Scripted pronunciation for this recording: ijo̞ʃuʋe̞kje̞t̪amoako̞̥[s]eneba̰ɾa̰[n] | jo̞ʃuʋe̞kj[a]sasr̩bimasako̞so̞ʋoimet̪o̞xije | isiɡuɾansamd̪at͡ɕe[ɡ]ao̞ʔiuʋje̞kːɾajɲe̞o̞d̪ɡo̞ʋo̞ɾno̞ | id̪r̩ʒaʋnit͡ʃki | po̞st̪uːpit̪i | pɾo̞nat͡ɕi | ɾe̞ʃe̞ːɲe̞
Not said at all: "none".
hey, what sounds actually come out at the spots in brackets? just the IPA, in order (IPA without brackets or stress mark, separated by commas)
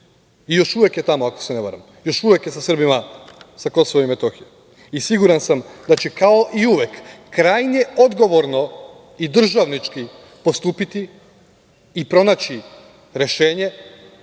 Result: s, m, e, k